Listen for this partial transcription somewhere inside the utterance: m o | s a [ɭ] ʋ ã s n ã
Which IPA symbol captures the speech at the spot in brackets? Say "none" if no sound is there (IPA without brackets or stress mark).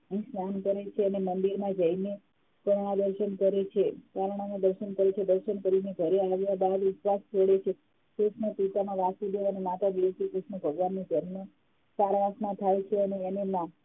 ɾ